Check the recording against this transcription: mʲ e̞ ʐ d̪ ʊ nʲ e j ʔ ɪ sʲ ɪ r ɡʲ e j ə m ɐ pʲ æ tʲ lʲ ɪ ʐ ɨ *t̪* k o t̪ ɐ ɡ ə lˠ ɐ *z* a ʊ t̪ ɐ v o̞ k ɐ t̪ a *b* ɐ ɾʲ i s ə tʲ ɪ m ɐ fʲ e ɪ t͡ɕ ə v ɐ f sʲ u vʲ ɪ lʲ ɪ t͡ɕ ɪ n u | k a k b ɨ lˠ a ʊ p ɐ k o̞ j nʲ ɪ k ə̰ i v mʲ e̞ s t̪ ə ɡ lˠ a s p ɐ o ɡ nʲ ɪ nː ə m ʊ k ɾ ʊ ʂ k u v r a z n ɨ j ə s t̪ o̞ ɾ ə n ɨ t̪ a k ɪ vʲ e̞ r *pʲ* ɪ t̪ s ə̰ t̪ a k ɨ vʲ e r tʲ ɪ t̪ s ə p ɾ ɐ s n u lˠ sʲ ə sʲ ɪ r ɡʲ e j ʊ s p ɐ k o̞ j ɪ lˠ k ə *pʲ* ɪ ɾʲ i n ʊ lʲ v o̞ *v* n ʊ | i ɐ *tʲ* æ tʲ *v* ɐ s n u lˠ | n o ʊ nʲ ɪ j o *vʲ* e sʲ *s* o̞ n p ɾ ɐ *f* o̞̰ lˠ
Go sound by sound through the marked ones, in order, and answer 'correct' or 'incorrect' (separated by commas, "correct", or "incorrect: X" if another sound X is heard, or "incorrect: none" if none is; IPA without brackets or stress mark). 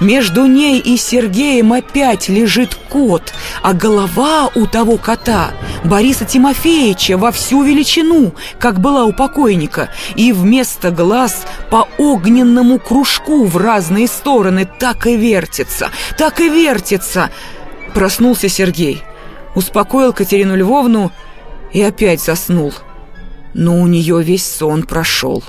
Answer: correct, incorrect: v, correct, incorrect: tʲ, incorrect: tʲ, correct, incorrect: pʲ, incorrect: z, correct, correct, incorrect: ʂ